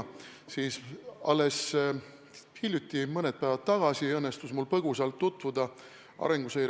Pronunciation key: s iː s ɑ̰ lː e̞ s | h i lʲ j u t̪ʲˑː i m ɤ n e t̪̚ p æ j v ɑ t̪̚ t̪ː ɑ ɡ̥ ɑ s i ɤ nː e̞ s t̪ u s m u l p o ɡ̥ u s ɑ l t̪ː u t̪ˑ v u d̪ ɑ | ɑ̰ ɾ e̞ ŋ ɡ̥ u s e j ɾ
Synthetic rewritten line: s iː s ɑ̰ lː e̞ s | h i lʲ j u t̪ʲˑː i m ɤ n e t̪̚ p æ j v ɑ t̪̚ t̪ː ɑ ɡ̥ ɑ s i ɤ nː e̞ s t̪ u s m u l p ɤ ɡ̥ u s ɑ l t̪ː u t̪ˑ v u d̪ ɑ | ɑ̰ ɾ e̞ ŋ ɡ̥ u s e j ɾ

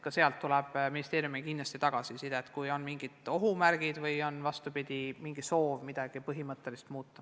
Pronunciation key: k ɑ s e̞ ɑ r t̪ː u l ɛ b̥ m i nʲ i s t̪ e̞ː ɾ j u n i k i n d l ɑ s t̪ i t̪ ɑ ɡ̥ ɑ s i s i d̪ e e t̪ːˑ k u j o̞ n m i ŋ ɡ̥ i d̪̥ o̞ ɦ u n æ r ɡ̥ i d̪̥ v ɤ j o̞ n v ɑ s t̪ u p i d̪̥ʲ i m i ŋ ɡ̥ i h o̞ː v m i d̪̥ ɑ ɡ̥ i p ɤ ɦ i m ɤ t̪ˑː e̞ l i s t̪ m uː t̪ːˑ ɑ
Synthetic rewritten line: k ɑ s e̞ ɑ l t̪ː u l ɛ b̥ m i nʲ i s t̪ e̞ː ɾ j u m i k i n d l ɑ s t̪ i t̪ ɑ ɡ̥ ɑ s i s i d̪ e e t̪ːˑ k u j o̞ n m i ŋ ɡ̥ i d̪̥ o̞ ɦ u m æ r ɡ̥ i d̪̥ v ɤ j o̞ n v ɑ s t̪ u p i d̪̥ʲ i m i ŋ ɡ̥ i s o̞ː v m i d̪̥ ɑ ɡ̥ i p ɤ ɦ i m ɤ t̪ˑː e̞ l i s t̪ m uː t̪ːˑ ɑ

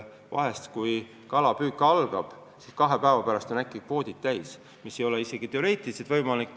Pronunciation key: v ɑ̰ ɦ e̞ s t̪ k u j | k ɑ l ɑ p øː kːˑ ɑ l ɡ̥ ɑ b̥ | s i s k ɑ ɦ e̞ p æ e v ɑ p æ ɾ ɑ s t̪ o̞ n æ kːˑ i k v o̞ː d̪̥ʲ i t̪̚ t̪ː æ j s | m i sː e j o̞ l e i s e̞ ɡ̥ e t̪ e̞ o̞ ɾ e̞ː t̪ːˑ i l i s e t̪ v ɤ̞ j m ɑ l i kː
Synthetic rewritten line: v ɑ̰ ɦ e̞ s t̪ k u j | k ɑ l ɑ p yː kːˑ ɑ l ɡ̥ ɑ b̥ | s i s k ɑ ɦ e̞ p æ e v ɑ p æ ɾ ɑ s t̪ o̞ n æ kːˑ i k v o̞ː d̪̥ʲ i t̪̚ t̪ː æ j s | m i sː e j o̞ l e i s e̞ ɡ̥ i t̪ e̞ o̞ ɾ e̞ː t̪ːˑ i l i s e t̪ v ɤ̞ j m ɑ l i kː

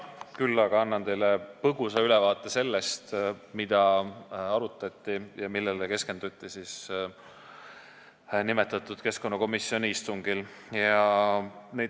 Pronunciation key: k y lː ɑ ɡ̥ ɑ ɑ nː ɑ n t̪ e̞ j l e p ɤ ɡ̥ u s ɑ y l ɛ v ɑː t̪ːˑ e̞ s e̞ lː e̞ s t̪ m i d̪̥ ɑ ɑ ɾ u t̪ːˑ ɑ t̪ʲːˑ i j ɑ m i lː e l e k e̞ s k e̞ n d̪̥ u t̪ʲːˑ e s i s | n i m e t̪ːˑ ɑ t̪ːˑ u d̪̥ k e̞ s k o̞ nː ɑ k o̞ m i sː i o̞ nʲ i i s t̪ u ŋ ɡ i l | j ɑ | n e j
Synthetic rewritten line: k y lː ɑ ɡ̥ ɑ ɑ nː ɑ n t̪ e̞ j l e p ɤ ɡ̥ u s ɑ y l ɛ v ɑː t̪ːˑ e̞ s e̞ lː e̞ s t̪ m i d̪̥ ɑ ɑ ɾ u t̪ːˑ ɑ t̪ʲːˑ i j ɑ m i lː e l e k e̞ s k e̞ n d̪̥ u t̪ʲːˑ i s i s | n i m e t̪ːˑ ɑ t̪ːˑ u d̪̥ k e̞ s k o̞ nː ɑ k o̞ m i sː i o̞ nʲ i i s t̪ u ŋ ɡ i l | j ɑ | n e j

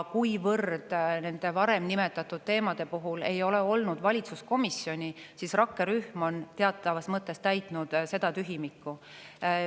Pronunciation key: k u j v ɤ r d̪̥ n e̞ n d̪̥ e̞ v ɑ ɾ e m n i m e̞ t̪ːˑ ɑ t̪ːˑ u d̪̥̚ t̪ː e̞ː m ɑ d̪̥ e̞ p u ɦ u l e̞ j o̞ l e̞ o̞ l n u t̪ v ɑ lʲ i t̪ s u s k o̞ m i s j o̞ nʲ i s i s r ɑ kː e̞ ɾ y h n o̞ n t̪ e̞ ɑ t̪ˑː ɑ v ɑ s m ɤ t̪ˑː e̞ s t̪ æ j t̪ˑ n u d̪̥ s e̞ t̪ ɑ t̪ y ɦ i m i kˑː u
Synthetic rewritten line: k u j v ɤ r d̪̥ n e̞ n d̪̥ e̞ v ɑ ɾ e m n i m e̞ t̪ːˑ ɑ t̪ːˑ u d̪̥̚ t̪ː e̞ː m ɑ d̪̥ e̞ p u ɦ u l e̞ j o̞ l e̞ o̞ l n u d̪ v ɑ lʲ i t̪ s u s k o̞ m i s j o̞ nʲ i s i s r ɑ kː e̞ ɾ y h m o̞ n t̪ e̞ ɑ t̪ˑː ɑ v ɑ s m ɤ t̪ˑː e̞ s t̪ æ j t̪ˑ n u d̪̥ s e̞ d̪ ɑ t̪ y ɦ i m i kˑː u

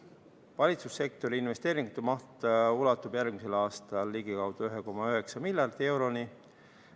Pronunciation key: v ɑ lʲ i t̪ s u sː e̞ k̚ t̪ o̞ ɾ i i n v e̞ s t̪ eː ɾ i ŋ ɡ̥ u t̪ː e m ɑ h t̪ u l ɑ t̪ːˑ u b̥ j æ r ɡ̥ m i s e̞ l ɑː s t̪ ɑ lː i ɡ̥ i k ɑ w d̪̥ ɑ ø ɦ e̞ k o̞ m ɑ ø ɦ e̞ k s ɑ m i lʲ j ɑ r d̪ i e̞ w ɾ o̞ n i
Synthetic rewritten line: v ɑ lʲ i t̪ s u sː e̞ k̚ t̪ o̞ ɾ i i n v e̞ s t̪ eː ɾ i ŋ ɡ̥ u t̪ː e m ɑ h t̪ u l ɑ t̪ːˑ u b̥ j æ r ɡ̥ m i s e̞ l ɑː s t̪ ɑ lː i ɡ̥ i k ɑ w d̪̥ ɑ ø ɦ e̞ k o̞ m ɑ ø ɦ e̞ k s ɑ m i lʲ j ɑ r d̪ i e̞ w ɾ o̞ n i

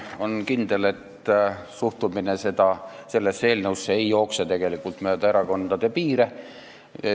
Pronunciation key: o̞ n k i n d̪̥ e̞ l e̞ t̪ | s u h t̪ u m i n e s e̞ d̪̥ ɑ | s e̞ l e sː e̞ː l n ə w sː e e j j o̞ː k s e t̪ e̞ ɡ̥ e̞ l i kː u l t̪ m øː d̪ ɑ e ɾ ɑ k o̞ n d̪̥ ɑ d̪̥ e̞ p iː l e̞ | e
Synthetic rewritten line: o̞ n k i n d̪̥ e̞ l e̞ t̪ | s u h t̪ u m i n e s e̞ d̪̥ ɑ | s e̞ lː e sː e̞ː l n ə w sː e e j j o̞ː k s e t̪ e̞ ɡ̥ e̞ l i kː u l t̪ m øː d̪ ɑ e ɾ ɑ k o̞ n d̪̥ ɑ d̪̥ e̞ p iː ɾ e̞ | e

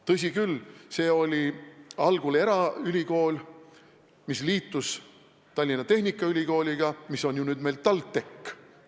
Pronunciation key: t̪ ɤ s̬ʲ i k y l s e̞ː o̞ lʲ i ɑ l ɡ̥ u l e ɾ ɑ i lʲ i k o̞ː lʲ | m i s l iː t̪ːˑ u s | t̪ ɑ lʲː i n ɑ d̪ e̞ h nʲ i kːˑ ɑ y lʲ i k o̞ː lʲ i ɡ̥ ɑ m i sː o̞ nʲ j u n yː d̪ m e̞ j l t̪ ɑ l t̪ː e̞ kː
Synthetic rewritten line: t̪ ɤ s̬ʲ i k y l s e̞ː o̞ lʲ i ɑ l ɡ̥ u l e ɾ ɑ y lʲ i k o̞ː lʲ | m i s l iː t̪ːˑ u s | t̪ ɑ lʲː i n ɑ t̪ e̞ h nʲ i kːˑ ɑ y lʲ i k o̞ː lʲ i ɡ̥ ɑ m i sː o̞ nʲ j u n yː d̪ m e̞ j l t̪ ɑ l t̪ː e̞ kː

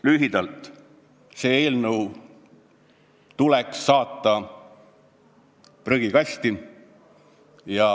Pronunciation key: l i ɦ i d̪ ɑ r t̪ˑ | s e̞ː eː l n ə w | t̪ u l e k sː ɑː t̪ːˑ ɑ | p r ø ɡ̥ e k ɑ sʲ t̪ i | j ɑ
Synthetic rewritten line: l y ɦ i d̪ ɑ l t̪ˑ | s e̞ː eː l n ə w | t̪ u l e k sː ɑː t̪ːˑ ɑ | p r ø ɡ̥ i k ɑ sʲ t̪ i | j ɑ

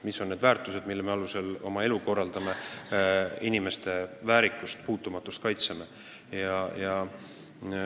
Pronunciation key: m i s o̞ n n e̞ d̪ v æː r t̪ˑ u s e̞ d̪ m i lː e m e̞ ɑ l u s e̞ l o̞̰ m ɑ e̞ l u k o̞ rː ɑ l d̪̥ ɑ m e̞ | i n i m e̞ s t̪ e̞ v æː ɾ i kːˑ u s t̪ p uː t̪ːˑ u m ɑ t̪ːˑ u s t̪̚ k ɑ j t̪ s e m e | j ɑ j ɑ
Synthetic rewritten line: m i s o̞ n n e̞ d̪ v æː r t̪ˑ u s e̞ d̪ m i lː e m e̞ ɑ l u s e̞ l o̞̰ m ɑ e̞ l u k o̞ rː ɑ l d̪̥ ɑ m e̞ | i n i m e̞ s t̪ e̞ v æː ɾ i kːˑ u s t̪ p uː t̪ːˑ u m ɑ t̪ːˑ u s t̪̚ k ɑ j t̪ s e m e | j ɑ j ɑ

